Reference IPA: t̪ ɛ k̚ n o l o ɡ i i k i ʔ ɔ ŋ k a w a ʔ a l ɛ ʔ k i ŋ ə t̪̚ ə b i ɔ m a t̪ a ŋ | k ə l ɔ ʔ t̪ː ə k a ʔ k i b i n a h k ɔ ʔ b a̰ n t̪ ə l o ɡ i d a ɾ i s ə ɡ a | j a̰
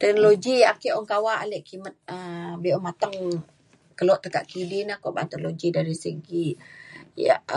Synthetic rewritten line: t̪ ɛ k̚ n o l o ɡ i a k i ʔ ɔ ŋ k a w a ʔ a l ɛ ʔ k i m ə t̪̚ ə b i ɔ m a t̪ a ŋ | k ə l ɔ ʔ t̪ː ə k a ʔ k i d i n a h k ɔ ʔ b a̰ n t̪ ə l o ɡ i d a ɾ i s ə ɡ i | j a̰